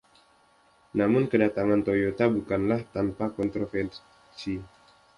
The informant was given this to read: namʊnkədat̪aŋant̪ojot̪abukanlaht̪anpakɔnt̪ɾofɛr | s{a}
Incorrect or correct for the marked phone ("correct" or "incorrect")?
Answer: incorrect